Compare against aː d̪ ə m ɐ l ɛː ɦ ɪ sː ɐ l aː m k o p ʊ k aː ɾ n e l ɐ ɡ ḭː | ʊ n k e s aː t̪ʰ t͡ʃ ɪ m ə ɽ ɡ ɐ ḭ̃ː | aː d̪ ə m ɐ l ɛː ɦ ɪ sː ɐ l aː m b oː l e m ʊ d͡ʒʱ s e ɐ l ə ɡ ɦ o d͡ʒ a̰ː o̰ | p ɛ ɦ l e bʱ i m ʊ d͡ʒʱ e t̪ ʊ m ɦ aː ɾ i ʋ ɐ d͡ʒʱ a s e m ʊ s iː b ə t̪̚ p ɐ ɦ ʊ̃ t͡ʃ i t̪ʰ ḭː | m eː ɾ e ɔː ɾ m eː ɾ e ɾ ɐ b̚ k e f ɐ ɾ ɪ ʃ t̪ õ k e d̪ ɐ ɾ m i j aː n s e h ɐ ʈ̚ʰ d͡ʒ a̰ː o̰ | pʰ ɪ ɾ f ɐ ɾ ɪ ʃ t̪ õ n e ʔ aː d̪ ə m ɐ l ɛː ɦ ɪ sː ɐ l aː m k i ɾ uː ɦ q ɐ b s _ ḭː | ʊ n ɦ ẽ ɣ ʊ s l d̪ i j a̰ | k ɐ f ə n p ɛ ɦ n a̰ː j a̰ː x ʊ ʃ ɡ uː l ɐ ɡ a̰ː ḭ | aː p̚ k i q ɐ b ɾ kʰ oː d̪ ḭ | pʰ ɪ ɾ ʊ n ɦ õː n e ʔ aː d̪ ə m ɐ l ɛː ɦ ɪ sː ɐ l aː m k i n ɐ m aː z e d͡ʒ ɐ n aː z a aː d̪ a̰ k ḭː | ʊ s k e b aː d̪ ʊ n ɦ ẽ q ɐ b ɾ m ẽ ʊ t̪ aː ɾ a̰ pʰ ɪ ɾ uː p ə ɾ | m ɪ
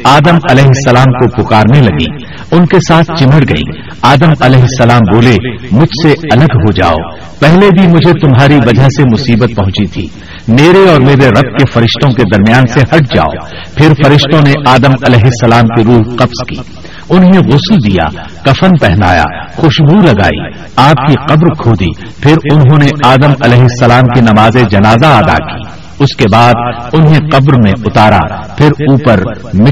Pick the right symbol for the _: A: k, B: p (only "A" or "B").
A